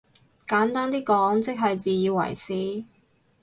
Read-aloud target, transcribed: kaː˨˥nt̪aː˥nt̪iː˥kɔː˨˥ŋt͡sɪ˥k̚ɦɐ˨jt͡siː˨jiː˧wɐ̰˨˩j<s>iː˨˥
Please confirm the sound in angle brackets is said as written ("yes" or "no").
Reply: yes